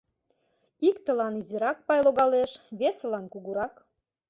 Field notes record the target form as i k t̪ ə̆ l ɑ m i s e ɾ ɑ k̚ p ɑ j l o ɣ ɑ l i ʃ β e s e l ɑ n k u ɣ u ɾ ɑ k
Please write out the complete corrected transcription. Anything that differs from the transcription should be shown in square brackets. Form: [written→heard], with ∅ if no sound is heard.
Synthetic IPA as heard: i k t̪ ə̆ l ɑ [m→n] i [s→z] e ɾ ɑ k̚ p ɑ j l o ɣ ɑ l [i→e] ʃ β e s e l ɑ n k u ɣ u ɾ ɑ k